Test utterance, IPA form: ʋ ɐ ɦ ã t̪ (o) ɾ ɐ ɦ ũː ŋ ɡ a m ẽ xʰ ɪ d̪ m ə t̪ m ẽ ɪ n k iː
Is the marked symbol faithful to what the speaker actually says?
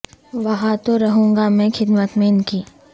yes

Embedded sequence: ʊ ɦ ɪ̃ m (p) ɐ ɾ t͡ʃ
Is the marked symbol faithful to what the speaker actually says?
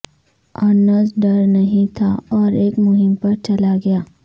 yes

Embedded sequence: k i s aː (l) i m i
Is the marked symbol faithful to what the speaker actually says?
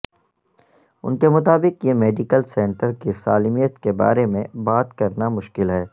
yes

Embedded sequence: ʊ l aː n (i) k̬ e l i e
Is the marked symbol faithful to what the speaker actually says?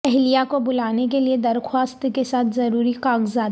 no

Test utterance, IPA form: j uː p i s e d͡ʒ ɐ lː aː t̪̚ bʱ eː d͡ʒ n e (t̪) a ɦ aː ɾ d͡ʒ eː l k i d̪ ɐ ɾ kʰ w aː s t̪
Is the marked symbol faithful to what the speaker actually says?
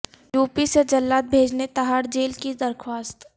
yes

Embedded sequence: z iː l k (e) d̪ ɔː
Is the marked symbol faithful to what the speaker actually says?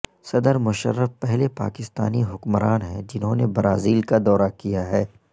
no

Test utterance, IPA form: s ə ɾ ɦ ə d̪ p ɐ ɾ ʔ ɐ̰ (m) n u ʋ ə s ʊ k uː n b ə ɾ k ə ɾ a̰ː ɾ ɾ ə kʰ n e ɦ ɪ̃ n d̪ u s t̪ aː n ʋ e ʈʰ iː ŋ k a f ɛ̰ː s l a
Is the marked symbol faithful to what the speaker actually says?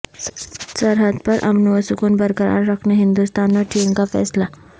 yes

